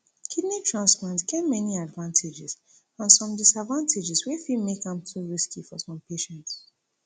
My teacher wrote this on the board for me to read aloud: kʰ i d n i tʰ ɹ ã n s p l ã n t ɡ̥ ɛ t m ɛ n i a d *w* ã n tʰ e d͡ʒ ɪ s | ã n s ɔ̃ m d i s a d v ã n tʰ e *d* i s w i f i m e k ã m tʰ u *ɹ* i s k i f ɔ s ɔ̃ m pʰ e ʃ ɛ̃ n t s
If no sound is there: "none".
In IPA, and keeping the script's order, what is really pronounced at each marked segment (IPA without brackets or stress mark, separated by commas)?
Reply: v, d͡ʒ, ɹ